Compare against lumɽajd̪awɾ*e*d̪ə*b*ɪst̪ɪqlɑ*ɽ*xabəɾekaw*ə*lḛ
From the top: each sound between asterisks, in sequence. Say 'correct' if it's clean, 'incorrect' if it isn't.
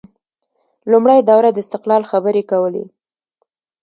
incorrect, incorrect, incorrect, correct

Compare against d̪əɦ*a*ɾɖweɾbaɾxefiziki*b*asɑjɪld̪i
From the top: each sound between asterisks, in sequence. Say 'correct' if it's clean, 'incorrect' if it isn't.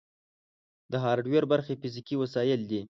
incorrect, incorrect

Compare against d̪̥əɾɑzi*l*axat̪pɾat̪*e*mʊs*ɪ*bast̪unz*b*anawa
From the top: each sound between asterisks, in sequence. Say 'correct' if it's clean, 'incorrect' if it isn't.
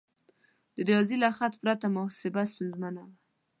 correct, incorrect, correct, incorrect

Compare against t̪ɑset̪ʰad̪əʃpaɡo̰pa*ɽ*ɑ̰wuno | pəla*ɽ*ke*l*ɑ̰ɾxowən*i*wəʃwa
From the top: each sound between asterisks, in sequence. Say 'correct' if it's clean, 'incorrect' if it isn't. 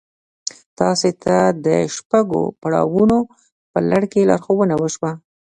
correct, correct, correct, incorrect

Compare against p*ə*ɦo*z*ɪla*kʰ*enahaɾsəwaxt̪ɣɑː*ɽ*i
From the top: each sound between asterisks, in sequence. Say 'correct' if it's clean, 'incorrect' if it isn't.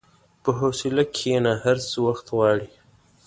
correct, incorrect, correct, correct

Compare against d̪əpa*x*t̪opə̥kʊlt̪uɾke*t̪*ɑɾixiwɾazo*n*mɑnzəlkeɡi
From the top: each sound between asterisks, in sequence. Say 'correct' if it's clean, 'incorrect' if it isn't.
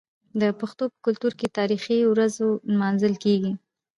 correct, correct, correct

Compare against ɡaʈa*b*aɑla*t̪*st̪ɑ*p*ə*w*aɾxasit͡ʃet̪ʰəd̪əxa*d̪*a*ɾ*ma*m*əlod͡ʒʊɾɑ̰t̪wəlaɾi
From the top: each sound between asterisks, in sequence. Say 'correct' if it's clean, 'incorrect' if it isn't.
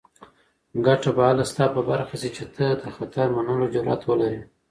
correct, incorrect, correct, incorrect, incorrect, correct, incorrect

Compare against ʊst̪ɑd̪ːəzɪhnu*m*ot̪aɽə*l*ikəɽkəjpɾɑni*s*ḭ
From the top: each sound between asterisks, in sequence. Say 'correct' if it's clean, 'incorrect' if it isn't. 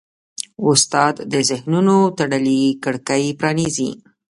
incorrect, correct, incorrect

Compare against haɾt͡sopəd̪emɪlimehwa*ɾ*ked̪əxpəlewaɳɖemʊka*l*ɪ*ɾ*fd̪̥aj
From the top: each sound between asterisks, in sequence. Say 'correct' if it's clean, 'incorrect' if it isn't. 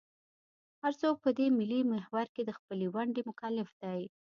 correct, correct, incorrect

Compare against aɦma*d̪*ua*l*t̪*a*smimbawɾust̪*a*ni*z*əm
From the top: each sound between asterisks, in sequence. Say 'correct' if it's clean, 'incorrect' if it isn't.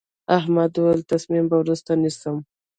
correct, correct, correct, correct, incorrect

